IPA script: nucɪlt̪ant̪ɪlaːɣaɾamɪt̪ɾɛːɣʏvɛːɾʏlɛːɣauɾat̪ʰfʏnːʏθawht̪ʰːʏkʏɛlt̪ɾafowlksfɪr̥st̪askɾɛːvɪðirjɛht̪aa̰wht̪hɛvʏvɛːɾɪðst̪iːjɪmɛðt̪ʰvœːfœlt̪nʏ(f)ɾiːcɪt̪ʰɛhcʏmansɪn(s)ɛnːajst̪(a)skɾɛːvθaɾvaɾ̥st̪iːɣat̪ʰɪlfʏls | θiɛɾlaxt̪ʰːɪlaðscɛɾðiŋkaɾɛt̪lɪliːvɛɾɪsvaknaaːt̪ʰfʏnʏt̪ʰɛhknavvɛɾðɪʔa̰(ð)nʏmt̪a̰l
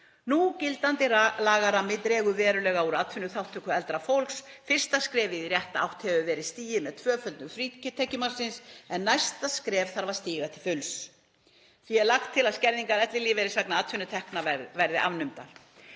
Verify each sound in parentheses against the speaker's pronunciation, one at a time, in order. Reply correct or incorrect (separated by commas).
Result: correct, correct, correct, incorrect